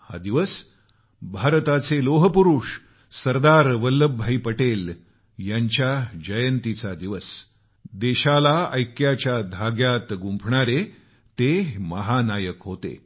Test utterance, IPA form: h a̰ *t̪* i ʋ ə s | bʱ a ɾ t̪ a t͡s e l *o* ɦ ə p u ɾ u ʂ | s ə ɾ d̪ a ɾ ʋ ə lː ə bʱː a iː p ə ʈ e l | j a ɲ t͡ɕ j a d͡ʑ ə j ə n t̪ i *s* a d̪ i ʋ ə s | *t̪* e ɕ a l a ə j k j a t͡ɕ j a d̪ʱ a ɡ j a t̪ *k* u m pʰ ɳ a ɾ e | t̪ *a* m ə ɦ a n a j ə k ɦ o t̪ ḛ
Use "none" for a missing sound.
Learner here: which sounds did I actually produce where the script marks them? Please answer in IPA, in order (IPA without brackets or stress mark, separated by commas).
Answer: d̪, o, t͡s, d̪, ɡ, e